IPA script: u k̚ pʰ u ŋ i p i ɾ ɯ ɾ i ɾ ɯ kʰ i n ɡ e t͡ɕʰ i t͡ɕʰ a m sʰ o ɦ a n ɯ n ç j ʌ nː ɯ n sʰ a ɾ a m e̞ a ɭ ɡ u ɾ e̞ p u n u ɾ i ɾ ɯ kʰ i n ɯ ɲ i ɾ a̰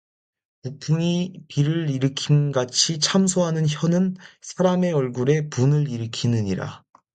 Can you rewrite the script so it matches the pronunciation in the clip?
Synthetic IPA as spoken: u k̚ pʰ u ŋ i p i ɾ ɯ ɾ i ɾ ɯ kʰ i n ɡ a t͡ɕʰ i t͡ɕʰ a m sʰ o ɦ a n ɯ n ç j ʌ n ɯ n sʰ a ɾ a m e̞ ʌ ɭ ɡ u ɾ e̞ p u n ɯ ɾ i ɾ ɯ kʰ i n ɯ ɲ i ɾ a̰

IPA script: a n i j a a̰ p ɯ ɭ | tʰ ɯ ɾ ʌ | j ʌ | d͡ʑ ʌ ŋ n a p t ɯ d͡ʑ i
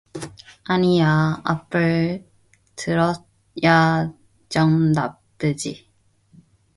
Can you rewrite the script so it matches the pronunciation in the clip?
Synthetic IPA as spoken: a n i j a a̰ p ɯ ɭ | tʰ ɯ ɾ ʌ | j a | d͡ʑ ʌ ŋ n a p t ɯ d͡ʑ i

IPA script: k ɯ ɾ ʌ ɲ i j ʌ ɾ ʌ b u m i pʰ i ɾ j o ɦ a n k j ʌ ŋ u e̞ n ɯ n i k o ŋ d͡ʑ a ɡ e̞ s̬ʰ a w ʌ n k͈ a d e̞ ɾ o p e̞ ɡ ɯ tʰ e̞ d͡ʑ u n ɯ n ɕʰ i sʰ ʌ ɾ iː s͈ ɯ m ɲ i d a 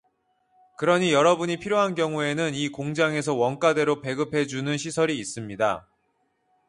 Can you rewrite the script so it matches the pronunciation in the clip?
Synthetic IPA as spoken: k ɯ ɾ ʌ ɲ i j ʌ ɾ ʌ b u ɲ i pʰ i ɾ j o ɦ a n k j ʌ ŋ u e̞ n ɯ n i k o ŋ d͡ʑ a ŋ e̞ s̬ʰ ʌ w ʌ n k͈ a d e̞ ɾ o p e̞ ɡ ɯ pʰ e̞ d͡ʑ u n ɯ n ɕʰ i sʰ ʌ ɾ iː s͈ ɯ m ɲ i d a

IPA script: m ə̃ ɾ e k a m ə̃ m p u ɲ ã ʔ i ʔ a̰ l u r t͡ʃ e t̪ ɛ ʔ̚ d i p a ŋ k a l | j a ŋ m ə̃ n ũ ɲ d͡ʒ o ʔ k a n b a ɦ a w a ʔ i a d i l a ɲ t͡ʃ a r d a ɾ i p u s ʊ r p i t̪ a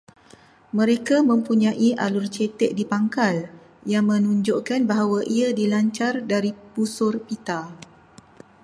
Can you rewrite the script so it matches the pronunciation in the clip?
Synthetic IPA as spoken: m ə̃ ɾ e k a m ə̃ m p u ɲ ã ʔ i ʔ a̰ l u r t͡ʃ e t̪ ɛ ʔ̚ d i p a ŋ k a l | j a ŋ m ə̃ n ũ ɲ d͡ʒ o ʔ k a n b a ɦ a w a ʔ i a d i l a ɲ t͡ʃ a r d a ɾ i p u s ʊ r p i t̪ a

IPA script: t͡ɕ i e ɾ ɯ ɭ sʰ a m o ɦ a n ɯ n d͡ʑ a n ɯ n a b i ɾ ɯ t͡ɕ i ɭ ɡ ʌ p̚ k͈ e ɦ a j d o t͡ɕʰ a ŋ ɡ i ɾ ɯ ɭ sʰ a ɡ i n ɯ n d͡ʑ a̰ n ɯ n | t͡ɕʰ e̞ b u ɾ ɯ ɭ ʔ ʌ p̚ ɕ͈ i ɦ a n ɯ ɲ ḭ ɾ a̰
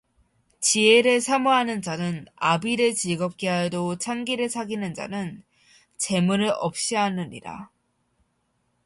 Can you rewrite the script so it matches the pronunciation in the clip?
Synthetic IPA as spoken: t͡ɕ i e ɾ ɯ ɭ sʰ a m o ɦ a n ɯ n d͡ʑ a n ɯ n a b i ɾ ɯ t͡ɕ i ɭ ɡ ʌ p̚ k͈ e ɦ a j d o t͡ɕʰ a ŋ ɡ i ɾ ɯ ɭ sʰ a ɡ i n ɯ n d͡ʑ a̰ n ɯ n | t͡ɕ e̞ m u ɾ ɯ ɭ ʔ ʌ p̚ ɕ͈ i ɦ a n ɯ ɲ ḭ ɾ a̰

